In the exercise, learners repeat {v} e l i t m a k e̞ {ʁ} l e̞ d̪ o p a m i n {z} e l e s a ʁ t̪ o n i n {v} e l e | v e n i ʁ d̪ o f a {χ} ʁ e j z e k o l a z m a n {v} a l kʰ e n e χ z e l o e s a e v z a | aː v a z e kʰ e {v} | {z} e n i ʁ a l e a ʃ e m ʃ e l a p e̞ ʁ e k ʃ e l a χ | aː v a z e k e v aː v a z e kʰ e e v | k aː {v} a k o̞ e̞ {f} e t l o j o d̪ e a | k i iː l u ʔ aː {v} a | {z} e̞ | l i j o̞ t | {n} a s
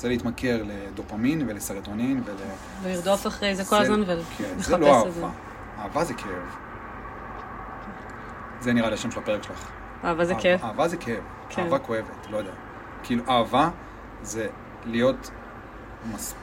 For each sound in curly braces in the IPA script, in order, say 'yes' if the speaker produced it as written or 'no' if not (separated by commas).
no, yes, no, yes, yes, yes, yes, yes, yes, no, yes, yes, no